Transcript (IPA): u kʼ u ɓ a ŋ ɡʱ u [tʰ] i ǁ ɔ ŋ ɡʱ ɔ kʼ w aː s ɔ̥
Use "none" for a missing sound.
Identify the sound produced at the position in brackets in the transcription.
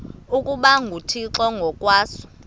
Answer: tʰ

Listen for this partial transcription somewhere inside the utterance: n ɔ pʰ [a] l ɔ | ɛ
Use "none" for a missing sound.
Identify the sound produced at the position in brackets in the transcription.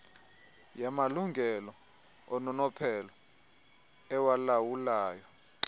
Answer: ɛ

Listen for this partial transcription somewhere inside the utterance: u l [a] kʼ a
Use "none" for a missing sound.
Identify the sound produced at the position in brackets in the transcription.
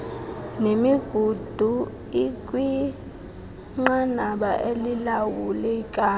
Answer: ɛ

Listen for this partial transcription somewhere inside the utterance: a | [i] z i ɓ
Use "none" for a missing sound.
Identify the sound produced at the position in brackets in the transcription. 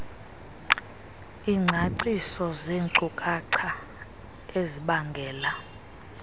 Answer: e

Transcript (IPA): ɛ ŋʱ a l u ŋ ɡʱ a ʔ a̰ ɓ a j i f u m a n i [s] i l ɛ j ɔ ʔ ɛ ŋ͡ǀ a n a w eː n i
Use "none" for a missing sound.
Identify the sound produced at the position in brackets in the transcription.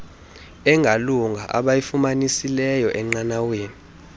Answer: s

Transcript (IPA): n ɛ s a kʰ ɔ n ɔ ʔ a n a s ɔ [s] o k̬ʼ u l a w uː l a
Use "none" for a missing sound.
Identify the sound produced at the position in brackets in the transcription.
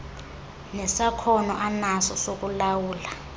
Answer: s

